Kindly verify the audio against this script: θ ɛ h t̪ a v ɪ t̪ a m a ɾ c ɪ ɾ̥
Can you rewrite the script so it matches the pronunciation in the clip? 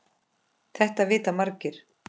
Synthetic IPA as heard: θ ɛ h t̪ a v ɪː t̪ a m a ɾ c ɪ ɾ̥

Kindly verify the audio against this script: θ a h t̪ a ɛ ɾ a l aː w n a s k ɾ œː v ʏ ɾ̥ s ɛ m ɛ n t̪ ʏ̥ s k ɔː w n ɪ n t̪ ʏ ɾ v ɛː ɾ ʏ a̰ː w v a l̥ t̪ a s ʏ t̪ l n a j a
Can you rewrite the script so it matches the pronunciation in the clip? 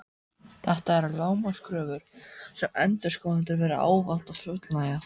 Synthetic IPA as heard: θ a h t̪ a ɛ ɾ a l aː w m a s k ɾ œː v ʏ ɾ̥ s ɛ m ɛ n t̪ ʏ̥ s k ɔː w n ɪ n t̪ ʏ ɾ v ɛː ɾ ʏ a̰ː w v a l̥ t̪ a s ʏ t̪ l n a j a

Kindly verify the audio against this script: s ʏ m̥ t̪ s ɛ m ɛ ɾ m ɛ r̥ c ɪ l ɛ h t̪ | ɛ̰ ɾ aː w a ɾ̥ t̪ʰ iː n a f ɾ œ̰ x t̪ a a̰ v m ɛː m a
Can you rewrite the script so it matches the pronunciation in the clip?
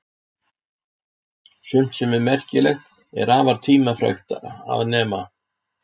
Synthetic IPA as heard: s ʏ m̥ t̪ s ɛ m ɛ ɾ m ɛ r̥ c ɪ l ɛ x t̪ | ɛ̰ ɾ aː v a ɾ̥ t̪ʰ iː m a f ɾ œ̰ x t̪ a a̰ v n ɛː m a

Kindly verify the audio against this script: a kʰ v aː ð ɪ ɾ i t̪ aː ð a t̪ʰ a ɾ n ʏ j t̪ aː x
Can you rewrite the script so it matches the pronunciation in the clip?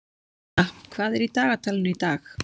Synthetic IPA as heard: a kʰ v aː ð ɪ ɾ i t̪ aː ɣ a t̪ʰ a l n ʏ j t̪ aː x

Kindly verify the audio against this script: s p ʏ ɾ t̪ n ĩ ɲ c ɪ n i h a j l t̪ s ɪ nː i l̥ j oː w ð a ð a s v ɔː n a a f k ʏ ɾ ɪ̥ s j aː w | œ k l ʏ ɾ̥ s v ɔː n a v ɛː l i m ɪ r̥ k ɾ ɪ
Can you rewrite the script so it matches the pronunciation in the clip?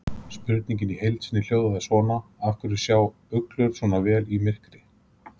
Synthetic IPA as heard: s p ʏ ɾ t̪ n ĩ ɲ c ɪ n i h e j l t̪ s ɪ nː ɪ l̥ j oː w ð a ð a s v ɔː n a a f k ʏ ɾ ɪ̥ s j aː w | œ k l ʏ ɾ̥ s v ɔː n a v ɛː l i m ɪ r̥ k ɾ ɪ

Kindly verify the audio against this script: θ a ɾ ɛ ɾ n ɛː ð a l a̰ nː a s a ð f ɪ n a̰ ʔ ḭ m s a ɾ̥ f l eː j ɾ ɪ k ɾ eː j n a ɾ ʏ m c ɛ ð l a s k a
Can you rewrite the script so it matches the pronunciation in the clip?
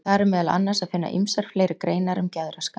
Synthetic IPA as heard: θ a ɾ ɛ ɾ m ɛː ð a l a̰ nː a s a ð f ɪ nː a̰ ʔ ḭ m s a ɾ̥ f l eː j ɾ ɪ k ɾ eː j n a ɾ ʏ m c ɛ ð ɾ a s k a

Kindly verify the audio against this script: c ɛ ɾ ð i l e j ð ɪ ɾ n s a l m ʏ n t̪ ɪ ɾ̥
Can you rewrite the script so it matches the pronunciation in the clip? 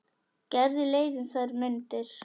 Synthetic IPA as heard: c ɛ ɾ ð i l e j ð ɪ n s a ɾ m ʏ n t̪ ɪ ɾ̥

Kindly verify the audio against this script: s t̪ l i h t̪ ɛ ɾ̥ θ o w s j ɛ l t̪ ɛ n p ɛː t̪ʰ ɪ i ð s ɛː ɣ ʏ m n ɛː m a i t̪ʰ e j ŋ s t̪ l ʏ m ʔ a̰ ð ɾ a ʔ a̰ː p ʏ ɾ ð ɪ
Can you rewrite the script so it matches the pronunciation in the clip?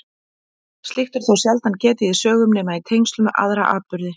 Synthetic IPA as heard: s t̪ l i x t̪ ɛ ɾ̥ θ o w s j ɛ l t̪ a n c ɛː t̪ ɪ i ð s œː ɣ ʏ m n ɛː m a i t̪ʰ e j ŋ s t̪ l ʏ m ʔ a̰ ð ɾ a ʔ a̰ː p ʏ ɾ ð ɪ

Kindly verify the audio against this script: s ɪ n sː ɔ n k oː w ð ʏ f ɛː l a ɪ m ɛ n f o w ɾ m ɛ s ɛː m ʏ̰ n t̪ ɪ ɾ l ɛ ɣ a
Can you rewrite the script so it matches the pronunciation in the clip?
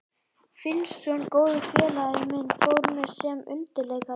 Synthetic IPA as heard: f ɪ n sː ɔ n k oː w ð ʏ f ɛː l a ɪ m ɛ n f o w ɾ m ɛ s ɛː m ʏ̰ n t̪ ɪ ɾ l ɛ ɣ a

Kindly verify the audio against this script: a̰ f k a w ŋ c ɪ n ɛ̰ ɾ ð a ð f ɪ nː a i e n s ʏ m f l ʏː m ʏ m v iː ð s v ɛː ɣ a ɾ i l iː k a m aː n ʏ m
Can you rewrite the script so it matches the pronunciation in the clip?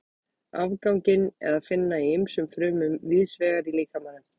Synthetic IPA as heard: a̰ v k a w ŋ c ɪ n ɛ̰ ɾ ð a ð f ɪ nː a i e m s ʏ m f ɾ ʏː m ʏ m v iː ð s v ɛː ɣ a ɾ i l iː k a m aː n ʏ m

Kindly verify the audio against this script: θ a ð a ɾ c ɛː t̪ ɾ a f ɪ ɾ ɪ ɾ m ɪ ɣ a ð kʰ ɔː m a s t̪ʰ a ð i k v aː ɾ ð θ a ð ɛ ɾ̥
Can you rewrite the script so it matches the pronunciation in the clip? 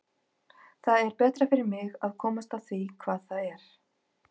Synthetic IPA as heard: θ a ð ɛ ɾ p ɛː t̪ ɾ a f ɪ ɾ ɪ ɾ m ɪ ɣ a ð kʰ ɔː m a s t̪ a θ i kʰ v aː ð θ a ð ɛ ɾ̥

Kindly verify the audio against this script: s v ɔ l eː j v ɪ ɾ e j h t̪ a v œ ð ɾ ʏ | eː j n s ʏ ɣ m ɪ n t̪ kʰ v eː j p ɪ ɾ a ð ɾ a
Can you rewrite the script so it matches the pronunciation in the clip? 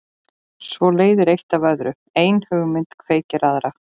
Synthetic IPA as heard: s v ɔ l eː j ð ɪ ɾ e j h t̪ a v œ ð ɾ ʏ | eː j n h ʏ ɣ m ɪ n t̪ kʰ v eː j c ɪ ɾ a ð ɾ a

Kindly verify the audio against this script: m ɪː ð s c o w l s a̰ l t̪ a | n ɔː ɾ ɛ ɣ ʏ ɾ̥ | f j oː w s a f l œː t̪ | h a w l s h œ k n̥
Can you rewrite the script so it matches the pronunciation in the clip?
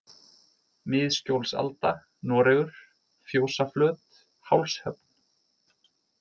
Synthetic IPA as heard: m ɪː ð s c o w l s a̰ l t̪ a | n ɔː ɾ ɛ ɣ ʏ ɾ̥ | f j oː w s a f l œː t̪ | h a w l s h œ p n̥

